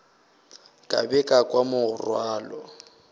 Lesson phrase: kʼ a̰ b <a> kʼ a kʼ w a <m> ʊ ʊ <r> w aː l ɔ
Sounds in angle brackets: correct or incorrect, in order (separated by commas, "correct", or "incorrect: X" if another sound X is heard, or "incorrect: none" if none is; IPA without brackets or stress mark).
incorrect: ɛ, correct, correct